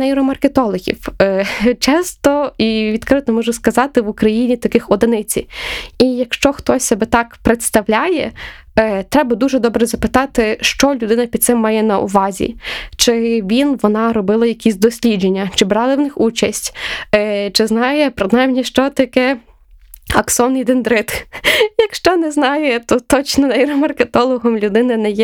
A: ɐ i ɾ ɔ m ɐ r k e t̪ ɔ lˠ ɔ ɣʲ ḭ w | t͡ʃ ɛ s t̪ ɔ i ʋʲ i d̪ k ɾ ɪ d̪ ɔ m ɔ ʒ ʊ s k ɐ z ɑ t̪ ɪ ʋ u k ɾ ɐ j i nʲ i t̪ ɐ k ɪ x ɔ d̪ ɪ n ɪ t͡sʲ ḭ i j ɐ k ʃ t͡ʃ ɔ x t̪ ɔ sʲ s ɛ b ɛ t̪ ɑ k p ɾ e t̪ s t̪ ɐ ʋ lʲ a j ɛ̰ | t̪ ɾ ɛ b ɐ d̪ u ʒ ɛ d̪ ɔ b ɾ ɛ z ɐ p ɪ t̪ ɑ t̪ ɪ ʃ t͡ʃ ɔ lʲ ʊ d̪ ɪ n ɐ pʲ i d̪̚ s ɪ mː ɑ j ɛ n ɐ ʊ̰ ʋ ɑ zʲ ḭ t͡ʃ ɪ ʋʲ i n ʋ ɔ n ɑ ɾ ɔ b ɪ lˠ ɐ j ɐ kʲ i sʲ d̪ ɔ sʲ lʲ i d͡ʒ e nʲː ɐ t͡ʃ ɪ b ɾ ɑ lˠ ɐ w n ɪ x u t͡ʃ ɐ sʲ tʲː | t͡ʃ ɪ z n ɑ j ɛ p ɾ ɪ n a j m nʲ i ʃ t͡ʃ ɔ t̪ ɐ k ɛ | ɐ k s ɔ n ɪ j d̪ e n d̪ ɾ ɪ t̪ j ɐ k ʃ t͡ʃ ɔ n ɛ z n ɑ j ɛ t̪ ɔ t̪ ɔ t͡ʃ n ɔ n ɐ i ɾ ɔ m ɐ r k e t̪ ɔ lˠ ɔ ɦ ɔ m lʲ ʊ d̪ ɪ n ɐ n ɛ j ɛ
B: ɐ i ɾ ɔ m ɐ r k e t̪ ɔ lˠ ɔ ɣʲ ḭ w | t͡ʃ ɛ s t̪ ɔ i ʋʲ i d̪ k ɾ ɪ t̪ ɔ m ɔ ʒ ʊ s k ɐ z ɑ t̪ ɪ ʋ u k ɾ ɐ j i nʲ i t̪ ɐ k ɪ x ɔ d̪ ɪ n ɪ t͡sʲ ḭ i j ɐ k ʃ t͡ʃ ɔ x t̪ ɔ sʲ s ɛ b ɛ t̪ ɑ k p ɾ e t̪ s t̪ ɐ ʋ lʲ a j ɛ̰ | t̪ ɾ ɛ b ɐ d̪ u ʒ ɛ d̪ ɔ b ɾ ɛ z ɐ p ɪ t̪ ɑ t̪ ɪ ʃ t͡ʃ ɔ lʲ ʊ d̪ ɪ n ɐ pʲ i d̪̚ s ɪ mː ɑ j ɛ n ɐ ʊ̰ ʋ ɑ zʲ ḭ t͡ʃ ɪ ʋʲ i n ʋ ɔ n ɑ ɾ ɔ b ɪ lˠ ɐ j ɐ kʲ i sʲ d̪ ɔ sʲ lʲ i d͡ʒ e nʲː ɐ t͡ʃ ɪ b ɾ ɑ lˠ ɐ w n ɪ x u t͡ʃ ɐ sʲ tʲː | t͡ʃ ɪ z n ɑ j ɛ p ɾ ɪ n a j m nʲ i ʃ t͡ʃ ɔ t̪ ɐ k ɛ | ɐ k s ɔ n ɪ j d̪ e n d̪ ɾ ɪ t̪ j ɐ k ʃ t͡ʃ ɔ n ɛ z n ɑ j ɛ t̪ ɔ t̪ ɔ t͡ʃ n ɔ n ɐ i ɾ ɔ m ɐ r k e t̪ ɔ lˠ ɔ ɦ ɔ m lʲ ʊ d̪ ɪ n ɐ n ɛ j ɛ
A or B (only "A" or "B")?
B